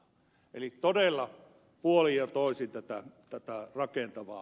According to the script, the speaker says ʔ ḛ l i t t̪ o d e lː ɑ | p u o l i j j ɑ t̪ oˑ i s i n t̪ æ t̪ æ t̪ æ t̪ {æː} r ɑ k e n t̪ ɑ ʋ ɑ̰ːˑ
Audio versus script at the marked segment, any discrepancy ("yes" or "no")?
yes